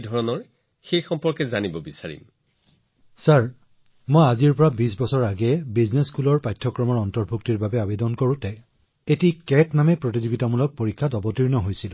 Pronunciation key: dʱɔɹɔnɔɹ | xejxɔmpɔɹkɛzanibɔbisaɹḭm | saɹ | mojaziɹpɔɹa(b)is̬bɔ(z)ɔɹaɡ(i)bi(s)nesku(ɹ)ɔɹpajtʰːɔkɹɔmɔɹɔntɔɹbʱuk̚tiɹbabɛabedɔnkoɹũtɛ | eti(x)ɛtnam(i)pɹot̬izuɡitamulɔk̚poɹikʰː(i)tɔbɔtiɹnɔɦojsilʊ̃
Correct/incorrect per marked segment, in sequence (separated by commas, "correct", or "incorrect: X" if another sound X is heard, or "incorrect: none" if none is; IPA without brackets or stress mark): correct, incorrect: s, incorrect: ɛ, incorrect: z, incorrect: l, incorrect: k, incorrect: ɛ, incorrect: a